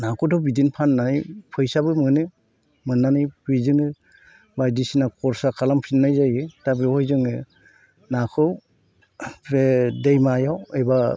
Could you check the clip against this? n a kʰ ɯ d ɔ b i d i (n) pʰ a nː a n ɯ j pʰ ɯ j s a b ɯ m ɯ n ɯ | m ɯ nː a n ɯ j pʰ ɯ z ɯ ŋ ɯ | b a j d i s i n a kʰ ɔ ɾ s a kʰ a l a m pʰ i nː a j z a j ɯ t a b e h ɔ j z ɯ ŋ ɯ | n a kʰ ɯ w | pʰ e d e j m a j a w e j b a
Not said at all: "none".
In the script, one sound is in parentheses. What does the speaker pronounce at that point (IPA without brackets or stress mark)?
n